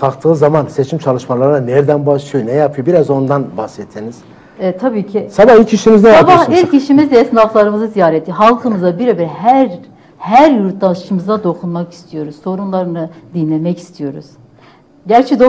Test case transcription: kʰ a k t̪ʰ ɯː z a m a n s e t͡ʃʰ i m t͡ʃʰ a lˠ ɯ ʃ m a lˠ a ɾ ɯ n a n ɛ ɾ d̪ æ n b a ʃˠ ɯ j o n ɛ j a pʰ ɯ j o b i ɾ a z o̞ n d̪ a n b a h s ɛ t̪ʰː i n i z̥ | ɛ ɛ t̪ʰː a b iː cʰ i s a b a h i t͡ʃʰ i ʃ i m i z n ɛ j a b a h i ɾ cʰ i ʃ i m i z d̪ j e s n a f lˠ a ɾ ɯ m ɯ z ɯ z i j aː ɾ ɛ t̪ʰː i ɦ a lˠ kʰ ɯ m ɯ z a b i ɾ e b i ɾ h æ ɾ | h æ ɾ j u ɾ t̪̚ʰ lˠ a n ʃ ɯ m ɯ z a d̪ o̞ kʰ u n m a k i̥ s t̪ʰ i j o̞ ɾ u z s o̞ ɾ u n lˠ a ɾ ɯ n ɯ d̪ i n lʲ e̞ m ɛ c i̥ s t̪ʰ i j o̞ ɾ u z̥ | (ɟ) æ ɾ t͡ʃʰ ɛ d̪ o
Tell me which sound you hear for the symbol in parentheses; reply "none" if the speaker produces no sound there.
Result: ɟ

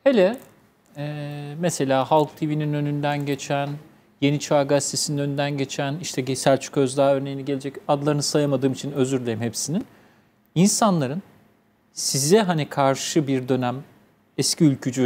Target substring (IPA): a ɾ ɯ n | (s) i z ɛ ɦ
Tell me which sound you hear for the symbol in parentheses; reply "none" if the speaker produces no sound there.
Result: s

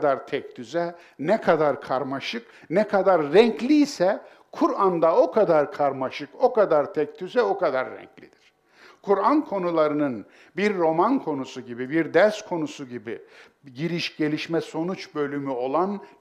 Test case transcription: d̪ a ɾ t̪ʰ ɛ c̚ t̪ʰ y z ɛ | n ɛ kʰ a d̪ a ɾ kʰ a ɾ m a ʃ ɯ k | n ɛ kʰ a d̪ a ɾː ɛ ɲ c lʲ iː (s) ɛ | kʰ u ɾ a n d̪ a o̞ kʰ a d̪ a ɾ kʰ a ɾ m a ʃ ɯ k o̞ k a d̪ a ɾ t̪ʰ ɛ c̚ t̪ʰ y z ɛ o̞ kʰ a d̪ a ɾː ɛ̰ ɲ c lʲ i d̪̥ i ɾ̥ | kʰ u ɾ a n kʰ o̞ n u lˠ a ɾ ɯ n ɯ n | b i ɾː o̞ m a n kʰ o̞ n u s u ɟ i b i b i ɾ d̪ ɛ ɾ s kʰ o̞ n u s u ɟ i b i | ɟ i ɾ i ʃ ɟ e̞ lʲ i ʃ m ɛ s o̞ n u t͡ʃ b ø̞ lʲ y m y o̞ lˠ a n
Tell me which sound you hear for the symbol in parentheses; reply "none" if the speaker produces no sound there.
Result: s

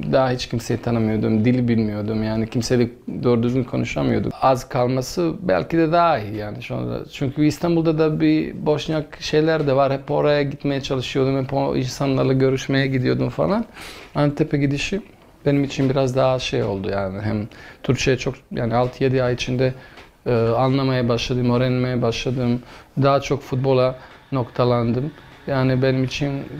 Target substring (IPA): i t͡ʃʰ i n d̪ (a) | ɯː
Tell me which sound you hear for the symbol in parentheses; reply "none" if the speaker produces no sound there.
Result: ɛ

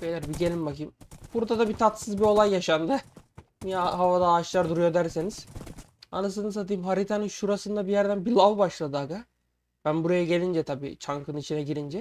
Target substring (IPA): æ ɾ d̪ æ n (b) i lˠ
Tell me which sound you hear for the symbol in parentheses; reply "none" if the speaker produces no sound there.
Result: b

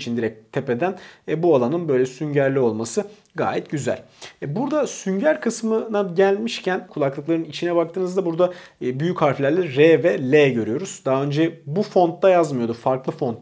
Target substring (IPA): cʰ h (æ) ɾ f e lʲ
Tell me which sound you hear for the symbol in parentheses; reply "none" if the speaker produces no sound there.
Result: a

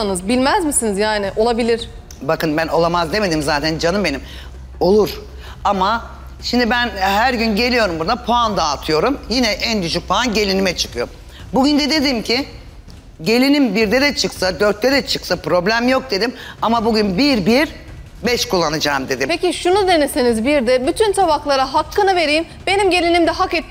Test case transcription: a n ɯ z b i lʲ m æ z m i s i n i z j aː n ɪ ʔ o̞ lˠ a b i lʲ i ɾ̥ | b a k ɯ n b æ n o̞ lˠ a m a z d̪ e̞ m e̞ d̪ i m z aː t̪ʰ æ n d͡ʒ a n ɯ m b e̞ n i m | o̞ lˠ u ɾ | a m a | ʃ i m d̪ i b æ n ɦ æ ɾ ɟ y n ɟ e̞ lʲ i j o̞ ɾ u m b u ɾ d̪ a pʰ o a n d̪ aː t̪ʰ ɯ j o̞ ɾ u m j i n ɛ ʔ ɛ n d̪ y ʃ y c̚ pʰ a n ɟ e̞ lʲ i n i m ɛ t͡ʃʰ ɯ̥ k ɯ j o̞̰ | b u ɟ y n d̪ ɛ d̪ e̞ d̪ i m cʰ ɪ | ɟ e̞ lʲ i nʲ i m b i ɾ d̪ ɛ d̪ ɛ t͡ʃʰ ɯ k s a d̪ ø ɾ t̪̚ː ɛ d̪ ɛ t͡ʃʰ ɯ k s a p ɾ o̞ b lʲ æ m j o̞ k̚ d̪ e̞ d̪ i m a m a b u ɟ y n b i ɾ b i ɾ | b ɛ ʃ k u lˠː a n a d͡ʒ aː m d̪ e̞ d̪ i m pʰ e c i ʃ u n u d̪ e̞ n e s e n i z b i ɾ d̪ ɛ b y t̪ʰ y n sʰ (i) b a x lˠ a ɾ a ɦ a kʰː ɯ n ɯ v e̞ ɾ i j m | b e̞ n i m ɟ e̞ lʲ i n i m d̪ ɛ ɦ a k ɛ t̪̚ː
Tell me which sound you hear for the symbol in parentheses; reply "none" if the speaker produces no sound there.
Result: a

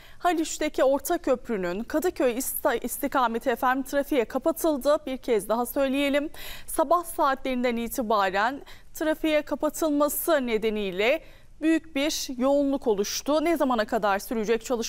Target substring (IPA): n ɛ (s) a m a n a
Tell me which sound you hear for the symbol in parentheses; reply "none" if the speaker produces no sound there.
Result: z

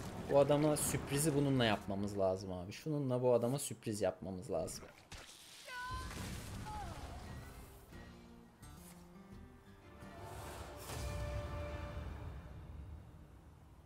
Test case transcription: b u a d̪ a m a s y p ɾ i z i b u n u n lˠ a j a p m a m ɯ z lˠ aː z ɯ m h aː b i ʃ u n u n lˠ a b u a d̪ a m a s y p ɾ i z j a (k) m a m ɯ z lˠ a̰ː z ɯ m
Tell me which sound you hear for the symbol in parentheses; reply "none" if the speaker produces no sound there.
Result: p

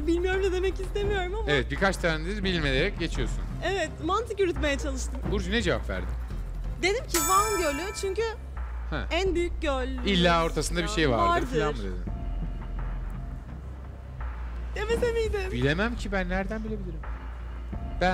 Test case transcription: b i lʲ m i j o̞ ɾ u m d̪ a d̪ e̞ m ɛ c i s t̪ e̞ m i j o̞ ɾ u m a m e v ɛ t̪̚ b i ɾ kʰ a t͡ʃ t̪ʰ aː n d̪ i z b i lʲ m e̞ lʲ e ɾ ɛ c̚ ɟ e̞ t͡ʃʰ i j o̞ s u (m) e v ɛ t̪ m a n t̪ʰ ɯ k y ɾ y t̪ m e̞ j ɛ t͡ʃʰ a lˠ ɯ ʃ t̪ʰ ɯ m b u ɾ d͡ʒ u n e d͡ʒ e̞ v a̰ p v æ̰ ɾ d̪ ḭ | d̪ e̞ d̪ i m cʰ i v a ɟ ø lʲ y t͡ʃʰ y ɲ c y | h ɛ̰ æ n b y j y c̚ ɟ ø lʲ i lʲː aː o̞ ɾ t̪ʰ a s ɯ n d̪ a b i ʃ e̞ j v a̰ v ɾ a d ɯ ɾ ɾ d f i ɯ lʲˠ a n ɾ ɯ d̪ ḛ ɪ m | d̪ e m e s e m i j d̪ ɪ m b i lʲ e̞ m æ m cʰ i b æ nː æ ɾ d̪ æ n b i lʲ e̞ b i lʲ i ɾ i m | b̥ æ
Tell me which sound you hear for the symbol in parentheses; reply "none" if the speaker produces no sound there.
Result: n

